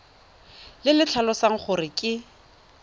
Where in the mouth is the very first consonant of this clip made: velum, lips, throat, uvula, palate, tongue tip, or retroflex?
tongue tip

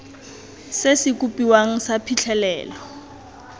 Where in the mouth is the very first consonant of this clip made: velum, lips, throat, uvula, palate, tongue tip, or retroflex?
tongue tip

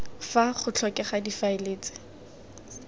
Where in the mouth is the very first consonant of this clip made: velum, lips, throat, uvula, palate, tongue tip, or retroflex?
lips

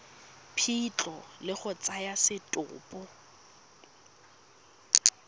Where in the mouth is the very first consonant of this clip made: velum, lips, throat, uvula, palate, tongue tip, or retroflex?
lips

